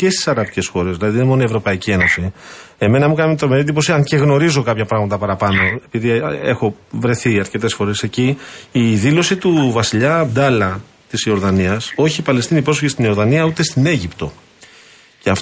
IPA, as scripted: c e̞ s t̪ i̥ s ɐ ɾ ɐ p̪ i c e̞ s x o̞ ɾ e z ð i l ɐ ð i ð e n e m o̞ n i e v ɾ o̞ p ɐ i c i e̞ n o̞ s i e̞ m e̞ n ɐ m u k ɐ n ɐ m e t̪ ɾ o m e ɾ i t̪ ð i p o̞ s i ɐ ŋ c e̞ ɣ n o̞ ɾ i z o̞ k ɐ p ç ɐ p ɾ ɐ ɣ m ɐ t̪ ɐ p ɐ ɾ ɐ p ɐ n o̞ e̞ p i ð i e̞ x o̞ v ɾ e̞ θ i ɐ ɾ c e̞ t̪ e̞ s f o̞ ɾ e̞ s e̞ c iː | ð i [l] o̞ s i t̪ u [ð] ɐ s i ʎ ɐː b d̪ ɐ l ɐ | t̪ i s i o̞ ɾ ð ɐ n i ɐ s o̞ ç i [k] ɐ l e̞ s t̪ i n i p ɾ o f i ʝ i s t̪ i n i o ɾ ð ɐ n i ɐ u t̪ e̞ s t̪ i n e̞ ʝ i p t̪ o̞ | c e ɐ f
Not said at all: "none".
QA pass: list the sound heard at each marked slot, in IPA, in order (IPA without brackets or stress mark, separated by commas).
l, v, p